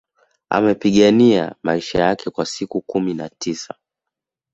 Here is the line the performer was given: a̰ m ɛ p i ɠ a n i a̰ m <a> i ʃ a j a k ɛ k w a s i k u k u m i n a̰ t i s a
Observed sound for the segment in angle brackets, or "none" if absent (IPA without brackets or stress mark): a